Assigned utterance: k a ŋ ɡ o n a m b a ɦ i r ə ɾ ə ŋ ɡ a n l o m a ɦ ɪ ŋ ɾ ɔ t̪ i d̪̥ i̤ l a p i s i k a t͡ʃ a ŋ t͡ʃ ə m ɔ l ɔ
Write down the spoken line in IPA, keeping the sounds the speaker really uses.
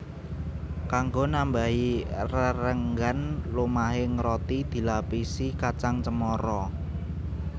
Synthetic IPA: k a ŋ ɡ o n a m b a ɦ i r ə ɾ ə ŋ ɡ a n l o m a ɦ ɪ ŋ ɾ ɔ t̪ i d̪̥ i̤ l a p i s i k a t͡ʃ a ŋ t͡ʃ ə m ɔ ɾ ɔ